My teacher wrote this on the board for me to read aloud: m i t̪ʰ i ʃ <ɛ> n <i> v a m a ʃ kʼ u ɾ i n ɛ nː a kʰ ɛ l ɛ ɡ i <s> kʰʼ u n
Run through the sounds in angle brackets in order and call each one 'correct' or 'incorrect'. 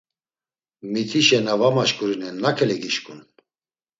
correct, incorrect, incorrect

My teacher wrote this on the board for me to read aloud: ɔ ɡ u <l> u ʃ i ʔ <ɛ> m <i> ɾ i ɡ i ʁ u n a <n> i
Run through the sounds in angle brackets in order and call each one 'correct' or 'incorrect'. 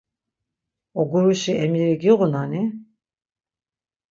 incorrect, correct, correct, correct

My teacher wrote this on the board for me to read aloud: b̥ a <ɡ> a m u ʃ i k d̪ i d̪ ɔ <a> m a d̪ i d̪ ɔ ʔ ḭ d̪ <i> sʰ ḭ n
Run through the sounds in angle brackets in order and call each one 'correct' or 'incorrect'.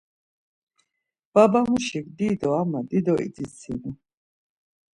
incorrect, correct, correct

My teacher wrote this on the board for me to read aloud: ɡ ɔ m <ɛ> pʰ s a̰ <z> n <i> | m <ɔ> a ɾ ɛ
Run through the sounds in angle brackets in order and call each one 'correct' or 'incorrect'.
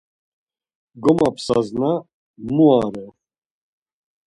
incorrect, correct, incorrect, incorrect

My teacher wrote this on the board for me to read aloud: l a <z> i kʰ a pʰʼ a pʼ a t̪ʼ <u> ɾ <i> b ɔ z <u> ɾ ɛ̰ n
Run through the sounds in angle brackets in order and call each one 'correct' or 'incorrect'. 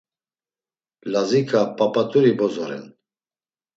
correct, correct, correct, incorrect

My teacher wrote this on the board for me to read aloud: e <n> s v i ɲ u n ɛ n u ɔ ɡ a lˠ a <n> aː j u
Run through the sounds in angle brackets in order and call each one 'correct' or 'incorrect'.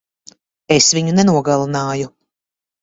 incorrect, correct

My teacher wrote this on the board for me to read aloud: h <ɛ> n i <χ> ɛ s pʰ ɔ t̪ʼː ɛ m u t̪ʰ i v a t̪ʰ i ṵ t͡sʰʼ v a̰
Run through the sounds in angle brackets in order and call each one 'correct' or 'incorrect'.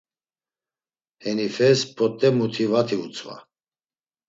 correct, incorrect

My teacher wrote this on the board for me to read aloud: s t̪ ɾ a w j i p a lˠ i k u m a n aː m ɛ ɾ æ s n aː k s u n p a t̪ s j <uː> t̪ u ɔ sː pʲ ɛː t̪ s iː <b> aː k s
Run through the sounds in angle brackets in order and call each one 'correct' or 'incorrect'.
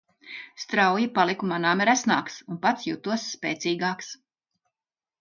incorrect, incorrect

